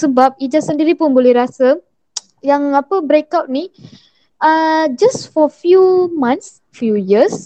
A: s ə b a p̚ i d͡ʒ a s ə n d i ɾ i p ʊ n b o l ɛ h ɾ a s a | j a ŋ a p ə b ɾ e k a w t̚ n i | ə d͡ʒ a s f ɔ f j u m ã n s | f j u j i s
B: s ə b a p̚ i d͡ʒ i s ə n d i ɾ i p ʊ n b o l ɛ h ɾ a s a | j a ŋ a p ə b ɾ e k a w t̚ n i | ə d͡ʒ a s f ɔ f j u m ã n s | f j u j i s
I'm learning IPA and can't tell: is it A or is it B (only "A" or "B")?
A